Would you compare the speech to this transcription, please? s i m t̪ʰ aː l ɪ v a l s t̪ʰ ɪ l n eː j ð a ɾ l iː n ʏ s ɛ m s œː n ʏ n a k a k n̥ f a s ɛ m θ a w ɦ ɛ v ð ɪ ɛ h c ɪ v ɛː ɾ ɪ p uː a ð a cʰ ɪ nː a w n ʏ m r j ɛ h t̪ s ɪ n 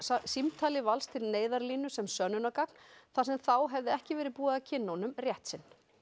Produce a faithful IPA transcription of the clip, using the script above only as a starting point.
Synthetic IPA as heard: s i m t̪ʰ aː l ɪ v a l s t̪ʰ ɪ l n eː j ð a ɾ l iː n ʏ s ɛ m s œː n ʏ n a k a k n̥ θ a s ɛ m θ a w ɦ ɛ v ð ɪ ɛ h c ɪ v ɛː ɾ ɪ p uː a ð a cʰ ɪ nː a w n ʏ m r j ɛ h t̪ s ɪ n